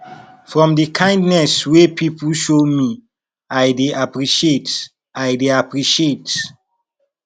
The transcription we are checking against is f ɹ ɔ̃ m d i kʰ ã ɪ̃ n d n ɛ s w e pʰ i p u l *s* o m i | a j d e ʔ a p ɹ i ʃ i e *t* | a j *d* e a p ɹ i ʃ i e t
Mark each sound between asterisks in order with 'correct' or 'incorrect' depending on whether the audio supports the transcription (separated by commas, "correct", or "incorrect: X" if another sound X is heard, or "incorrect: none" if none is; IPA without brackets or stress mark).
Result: incorrect: ʃ, correct, correct